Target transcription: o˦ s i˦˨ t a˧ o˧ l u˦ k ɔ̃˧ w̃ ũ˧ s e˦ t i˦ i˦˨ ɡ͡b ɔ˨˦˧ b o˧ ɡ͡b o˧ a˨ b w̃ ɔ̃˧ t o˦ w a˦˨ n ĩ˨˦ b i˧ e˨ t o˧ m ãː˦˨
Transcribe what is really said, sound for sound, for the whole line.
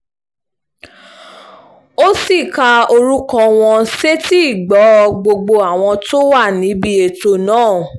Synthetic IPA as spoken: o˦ s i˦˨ k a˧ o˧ ɾ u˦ k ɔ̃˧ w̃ ɔ̃˧ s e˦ t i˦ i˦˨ ɡ͡b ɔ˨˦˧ ɡ͡b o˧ ɡ͡b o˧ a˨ w̃ ɔ̃˧ t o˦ w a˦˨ n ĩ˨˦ b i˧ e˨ t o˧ n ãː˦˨